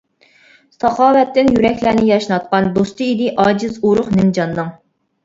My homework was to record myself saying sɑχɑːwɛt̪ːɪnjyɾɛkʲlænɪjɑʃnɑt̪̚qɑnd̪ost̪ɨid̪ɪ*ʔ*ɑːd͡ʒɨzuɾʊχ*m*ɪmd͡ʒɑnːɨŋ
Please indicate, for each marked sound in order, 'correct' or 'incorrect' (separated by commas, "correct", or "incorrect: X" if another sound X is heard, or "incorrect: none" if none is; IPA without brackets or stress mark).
correct, incorrect: n